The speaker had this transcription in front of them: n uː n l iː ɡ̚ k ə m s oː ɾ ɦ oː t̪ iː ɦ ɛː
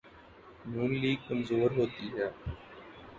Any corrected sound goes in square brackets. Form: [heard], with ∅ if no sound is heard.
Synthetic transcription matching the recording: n uː n l iː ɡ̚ k ə m [z] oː ɾ ɦ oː t̪ iː ɦ ɛː